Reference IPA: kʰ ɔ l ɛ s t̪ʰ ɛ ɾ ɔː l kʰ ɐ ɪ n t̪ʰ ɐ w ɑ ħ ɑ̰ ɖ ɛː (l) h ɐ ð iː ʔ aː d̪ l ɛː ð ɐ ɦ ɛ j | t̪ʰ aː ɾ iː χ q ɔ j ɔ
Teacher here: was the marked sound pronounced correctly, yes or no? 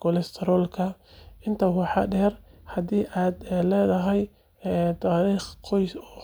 no